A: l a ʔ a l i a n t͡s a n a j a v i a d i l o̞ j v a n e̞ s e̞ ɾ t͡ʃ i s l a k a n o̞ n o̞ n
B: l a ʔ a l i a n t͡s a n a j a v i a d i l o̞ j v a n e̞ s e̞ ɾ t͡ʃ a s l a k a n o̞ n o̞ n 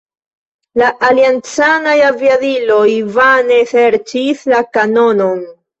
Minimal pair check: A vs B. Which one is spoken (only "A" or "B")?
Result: A